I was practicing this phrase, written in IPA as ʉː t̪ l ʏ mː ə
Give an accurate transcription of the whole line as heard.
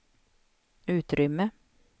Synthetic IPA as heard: ʉː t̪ ɾ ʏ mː ə